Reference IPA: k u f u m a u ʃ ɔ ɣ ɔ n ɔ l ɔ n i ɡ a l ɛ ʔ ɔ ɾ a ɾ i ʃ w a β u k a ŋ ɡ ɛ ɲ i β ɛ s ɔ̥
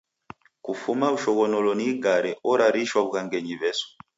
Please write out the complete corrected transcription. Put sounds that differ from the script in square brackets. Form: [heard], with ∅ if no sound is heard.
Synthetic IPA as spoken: k u f u m a u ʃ ɔ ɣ ɔ n ɔ l ɔ n i ɡ a [ɾ] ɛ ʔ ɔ ɾ a ɾ i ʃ w a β u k a ŋ ɡ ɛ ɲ i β ɛ s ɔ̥